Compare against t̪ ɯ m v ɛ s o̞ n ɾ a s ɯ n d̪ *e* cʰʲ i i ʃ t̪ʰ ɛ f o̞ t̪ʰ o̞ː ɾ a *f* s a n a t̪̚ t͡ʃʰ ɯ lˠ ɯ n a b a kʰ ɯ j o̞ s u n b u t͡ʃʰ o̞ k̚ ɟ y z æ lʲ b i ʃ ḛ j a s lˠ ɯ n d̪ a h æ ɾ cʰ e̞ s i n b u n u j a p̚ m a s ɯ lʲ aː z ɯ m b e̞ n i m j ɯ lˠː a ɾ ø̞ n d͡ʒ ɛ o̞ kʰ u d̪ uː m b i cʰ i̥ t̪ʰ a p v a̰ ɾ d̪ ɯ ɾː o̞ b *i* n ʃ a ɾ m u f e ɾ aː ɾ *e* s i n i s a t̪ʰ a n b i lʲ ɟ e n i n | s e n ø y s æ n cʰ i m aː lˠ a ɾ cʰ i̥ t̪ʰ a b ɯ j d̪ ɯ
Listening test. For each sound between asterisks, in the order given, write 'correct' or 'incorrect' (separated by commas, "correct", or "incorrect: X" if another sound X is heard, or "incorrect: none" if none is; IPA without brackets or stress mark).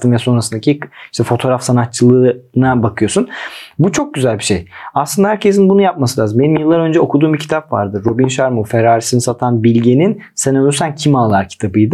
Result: incorrect: a, correct, correct, incorrect: i